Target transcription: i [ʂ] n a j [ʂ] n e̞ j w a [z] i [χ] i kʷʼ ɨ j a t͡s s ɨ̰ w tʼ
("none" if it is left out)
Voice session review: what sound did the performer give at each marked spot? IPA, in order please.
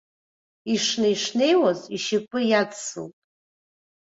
ʂ, ʂ, z, ʃ

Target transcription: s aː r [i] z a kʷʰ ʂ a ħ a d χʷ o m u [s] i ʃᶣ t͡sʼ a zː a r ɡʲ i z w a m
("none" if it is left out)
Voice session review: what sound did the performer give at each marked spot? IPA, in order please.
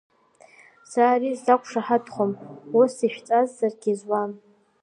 i, s

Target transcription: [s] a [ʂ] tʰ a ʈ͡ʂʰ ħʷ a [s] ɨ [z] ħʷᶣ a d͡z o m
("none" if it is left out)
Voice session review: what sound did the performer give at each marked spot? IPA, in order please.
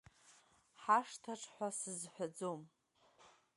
ħ, ʂ, s, z

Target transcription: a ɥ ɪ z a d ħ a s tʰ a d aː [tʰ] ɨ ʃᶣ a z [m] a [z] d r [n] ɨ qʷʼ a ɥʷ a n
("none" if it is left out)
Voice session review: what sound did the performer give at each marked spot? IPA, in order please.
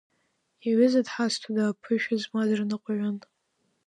pʰ, m, none, n

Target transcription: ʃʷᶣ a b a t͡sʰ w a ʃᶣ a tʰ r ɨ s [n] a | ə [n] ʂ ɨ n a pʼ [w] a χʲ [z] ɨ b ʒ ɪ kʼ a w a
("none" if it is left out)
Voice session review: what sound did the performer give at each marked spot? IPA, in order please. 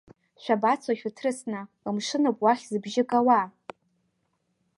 n, m, w, z

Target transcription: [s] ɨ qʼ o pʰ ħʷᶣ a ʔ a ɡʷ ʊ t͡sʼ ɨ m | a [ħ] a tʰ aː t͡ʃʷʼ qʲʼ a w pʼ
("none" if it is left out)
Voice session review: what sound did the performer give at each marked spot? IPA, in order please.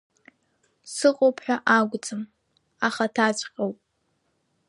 s, χ

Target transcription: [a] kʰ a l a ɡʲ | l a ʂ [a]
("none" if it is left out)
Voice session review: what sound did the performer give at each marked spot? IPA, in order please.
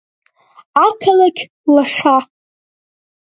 a, a

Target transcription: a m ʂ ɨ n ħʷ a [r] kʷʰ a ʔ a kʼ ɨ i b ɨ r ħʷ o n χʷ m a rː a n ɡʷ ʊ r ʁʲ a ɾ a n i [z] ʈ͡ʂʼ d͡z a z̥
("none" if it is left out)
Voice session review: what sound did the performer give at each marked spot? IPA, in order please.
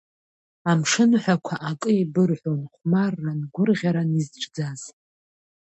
none, z

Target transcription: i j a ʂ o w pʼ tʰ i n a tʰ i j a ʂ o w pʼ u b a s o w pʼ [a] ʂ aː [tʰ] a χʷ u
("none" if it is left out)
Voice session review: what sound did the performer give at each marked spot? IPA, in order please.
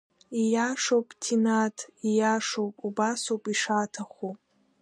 i, tʰ

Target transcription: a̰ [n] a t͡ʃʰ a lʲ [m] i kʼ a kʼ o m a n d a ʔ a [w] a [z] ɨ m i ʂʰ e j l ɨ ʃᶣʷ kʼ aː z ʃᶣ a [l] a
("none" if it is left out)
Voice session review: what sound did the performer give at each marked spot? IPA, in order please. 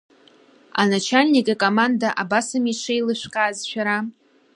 n, n, b, s, ɾ

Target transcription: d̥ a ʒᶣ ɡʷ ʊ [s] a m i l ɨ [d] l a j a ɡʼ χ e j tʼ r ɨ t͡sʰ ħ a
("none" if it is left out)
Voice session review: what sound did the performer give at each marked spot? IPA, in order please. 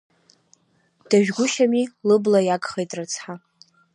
ʃ, b

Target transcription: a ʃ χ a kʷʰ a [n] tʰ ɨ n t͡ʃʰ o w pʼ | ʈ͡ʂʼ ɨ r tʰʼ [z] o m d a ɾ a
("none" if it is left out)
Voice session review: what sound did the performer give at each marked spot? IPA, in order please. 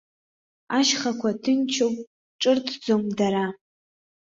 none, d͡z

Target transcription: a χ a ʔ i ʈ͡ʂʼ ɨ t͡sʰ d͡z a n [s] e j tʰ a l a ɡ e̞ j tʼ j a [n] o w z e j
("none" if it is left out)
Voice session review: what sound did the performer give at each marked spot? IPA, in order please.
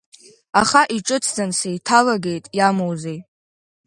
s, m

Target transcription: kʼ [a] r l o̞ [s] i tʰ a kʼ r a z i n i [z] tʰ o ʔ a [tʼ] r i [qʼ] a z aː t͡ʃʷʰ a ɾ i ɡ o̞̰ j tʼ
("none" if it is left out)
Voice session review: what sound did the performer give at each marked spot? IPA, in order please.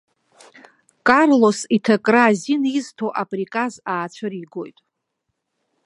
a, s, z, pʼ, kʼ

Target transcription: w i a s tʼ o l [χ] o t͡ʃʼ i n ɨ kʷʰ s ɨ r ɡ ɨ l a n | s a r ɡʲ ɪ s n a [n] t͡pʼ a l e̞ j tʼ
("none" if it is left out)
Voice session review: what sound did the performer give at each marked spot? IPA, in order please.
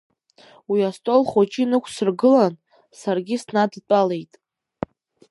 χ, d

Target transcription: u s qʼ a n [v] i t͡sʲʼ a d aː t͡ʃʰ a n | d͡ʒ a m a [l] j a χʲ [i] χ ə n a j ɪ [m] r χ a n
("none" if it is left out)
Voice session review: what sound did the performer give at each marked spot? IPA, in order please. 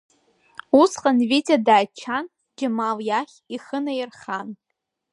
v, l, i, none

